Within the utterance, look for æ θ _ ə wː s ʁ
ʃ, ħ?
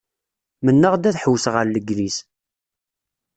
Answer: ħ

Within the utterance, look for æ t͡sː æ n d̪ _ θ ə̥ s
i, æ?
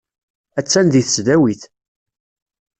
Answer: i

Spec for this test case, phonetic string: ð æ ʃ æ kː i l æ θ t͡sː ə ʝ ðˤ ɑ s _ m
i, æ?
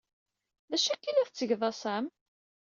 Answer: æ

